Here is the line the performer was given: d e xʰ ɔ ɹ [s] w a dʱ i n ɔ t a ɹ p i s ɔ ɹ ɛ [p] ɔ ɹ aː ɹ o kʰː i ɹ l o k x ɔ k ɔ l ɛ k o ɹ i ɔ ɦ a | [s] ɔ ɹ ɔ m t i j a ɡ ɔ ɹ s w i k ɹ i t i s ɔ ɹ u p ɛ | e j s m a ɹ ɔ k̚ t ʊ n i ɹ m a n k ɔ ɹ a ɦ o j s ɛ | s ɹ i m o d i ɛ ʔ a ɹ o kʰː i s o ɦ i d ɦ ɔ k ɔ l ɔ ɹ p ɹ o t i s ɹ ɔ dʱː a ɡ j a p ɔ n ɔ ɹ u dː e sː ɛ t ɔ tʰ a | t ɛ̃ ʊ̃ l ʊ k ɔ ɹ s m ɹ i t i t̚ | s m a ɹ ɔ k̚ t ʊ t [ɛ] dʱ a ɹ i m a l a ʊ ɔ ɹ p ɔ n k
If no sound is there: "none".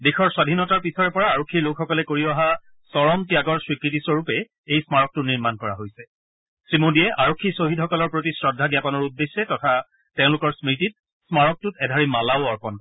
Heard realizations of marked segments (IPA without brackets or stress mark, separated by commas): s, p, s, ɛ